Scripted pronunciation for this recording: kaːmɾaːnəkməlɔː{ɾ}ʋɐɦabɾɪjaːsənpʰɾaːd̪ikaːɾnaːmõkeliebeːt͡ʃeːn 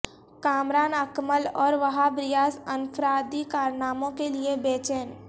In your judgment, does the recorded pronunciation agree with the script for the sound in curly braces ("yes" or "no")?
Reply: yes